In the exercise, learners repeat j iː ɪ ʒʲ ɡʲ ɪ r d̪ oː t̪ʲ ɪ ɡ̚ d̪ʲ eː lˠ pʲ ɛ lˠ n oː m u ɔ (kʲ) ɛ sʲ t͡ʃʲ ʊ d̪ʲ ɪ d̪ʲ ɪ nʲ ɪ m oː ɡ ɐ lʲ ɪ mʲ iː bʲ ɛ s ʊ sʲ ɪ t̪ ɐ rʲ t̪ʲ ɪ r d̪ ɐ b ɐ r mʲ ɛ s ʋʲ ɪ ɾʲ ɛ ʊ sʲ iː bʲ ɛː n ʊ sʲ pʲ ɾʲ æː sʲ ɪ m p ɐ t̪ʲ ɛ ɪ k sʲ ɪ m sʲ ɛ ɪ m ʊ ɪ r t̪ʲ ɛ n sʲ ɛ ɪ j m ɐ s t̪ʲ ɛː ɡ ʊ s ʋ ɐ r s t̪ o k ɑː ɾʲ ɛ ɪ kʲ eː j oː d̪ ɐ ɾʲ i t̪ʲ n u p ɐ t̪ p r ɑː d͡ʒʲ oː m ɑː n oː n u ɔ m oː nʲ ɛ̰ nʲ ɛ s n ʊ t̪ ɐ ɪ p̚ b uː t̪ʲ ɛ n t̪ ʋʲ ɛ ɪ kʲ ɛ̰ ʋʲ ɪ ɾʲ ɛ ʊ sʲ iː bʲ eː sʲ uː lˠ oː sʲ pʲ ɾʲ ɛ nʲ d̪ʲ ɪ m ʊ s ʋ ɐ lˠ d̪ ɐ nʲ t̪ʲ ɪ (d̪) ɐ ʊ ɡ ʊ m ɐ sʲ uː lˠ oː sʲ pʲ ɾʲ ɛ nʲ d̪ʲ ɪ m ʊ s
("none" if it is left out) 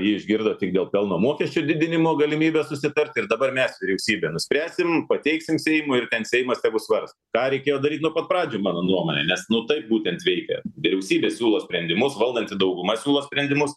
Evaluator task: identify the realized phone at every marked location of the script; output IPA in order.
kʲ, d̪

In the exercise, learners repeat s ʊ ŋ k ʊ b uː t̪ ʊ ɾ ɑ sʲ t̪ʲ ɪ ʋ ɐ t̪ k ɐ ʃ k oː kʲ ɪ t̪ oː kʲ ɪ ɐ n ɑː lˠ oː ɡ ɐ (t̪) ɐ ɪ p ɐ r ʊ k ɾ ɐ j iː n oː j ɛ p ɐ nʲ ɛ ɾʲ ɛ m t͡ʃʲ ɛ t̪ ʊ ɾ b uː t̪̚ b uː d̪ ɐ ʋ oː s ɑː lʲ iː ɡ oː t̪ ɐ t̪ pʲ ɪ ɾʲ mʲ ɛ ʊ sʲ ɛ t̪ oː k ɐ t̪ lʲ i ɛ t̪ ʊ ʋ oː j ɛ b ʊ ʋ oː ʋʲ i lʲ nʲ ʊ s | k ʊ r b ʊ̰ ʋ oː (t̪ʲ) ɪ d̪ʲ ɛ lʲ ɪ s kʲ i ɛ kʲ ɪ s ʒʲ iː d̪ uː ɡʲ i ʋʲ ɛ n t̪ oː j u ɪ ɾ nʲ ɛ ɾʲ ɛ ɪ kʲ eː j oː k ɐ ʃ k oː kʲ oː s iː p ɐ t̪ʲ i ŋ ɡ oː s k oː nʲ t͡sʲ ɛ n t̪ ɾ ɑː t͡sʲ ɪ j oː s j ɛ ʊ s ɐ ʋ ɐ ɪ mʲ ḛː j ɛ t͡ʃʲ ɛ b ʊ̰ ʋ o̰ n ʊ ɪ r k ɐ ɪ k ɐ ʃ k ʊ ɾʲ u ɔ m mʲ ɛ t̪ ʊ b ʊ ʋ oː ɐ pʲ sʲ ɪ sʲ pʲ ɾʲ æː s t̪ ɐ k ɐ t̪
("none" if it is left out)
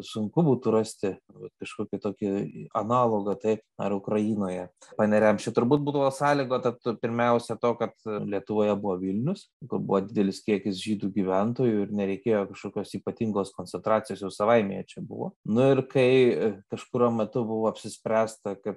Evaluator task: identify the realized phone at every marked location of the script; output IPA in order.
t̪, d̪ʲ

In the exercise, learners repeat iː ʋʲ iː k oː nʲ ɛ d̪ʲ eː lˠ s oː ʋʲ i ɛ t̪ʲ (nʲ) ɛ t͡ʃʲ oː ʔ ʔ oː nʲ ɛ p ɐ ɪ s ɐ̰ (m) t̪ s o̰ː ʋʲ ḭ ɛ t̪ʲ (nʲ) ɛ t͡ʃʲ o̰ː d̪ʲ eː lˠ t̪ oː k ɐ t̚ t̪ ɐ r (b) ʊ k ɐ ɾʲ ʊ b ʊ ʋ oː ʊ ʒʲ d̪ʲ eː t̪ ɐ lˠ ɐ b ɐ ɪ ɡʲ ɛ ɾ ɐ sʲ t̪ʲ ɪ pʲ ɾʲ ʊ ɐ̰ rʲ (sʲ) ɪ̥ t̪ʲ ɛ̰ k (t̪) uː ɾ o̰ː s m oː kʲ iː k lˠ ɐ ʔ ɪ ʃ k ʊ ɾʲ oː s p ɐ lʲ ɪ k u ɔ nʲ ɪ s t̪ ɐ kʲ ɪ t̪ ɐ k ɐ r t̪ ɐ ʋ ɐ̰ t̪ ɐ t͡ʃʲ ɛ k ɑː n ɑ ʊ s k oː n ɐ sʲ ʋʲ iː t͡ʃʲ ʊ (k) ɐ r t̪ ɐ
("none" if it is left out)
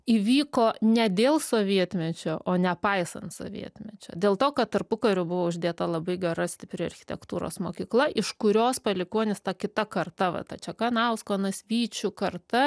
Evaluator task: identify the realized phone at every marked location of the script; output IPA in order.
mʲ, n, mʲ, p, xʲ, t̪, k

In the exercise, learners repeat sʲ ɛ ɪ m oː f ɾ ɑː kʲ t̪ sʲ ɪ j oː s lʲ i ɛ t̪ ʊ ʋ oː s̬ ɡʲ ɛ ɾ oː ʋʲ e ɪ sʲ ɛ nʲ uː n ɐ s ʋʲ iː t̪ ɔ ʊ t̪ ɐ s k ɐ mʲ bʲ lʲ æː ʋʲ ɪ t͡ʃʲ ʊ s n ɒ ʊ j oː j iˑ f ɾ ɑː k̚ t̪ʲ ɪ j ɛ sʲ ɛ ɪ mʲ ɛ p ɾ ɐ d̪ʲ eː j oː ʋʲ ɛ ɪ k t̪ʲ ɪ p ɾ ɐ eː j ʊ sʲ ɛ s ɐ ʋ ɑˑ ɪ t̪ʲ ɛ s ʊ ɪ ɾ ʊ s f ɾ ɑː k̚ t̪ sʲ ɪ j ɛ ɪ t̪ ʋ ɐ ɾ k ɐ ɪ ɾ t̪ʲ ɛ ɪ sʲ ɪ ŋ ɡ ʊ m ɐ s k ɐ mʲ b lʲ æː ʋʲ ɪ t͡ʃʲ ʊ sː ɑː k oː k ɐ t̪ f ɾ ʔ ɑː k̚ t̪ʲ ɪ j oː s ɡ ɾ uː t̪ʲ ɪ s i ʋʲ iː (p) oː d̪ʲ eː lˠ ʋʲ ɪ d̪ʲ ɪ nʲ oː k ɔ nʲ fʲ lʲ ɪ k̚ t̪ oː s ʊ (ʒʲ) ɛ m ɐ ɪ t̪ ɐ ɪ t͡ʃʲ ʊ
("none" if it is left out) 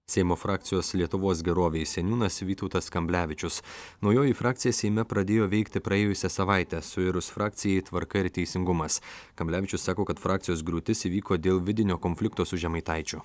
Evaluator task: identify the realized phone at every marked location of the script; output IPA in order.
k, ʒʲ

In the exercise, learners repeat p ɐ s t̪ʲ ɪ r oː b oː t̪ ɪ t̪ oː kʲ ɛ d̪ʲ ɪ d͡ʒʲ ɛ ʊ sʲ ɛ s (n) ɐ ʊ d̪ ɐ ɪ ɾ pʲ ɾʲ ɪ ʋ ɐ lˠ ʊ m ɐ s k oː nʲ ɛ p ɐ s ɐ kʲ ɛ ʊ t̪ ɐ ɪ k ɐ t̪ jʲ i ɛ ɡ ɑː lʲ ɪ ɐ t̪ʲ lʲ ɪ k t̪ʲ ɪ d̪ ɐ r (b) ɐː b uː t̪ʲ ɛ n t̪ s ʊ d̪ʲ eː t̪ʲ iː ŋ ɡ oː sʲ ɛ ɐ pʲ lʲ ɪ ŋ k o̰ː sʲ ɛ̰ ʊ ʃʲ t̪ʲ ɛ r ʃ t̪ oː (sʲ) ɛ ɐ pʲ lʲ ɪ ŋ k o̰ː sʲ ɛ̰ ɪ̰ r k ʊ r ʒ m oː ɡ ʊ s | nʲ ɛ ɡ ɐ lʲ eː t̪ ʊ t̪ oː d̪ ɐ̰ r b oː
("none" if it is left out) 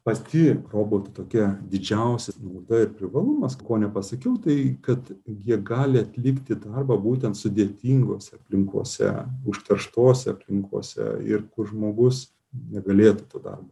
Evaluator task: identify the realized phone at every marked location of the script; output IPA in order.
n, b, sʲ

